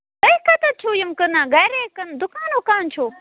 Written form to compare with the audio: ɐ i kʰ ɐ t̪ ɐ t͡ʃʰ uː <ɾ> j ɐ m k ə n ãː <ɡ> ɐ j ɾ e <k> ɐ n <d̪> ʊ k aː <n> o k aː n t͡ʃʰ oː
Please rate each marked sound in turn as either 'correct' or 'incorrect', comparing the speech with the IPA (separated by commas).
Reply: incorrect, correct, correct, correct, correct